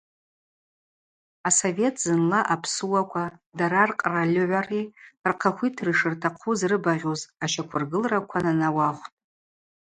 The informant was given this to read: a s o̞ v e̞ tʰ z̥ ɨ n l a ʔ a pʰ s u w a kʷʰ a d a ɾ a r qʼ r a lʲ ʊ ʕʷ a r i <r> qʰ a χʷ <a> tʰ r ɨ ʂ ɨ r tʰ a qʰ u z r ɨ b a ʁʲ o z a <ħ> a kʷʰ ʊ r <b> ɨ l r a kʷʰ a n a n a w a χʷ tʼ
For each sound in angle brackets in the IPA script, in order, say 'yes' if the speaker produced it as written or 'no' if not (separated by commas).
yes, no, no, no